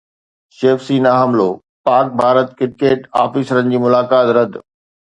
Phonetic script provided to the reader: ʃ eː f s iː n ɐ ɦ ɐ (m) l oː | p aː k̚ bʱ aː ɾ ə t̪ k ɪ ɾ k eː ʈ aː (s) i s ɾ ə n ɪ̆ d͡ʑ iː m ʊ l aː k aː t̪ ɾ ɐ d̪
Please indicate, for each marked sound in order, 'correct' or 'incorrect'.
correct, incorrect: f

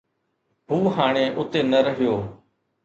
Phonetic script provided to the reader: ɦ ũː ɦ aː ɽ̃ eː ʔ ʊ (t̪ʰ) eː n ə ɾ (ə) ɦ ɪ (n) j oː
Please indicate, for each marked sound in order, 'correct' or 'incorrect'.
incorrect: t̪, correct, incorrect: none

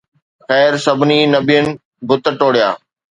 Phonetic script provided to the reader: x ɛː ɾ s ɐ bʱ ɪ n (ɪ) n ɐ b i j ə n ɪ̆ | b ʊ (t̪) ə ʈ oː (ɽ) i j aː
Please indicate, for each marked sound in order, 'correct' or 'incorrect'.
incorrect: i, correct, correct

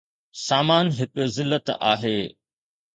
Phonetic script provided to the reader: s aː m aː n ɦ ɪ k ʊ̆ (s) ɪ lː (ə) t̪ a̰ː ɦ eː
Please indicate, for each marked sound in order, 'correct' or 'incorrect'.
incorrect: z, correct

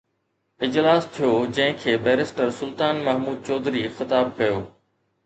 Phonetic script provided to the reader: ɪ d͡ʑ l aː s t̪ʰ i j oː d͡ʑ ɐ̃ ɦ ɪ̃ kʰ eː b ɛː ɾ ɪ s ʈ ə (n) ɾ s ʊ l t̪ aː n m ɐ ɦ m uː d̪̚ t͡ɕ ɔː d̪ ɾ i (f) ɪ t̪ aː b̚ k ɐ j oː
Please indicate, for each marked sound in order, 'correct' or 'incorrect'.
incorrect: none, incorrect: x

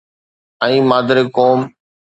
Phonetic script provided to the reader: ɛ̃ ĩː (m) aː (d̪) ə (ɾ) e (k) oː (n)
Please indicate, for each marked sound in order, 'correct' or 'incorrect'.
correct, correct, correct, correct, incorrect: m

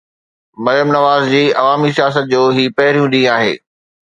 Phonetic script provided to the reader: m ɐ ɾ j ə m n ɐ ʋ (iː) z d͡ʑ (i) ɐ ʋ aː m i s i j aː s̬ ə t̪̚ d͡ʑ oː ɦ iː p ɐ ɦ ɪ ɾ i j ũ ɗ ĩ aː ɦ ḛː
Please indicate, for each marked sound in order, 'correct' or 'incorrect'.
incorrect: aː, incorrect: iː

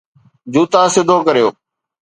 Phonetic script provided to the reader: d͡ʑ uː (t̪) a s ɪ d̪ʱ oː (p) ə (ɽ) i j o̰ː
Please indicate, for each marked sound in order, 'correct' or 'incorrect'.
correct, incorrect: k, incorrect: ɾ

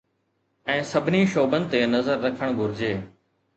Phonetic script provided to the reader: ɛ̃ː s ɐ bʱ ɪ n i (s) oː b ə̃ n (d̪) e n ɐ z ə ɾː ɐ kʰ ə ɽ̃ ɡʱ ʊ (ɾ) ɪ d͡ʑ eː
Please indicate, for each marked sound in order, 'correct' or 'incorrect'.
incorrect: ʃ, incorrect: t̪, correct

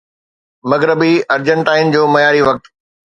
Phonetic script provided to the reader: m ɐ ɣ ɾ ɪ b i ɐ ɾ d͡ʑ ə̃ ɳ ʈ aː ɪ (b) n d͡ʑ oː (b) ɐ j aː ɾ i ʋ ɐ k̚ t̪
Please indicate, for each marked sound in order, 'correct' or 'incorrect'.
incorrect: none, incorrect: m

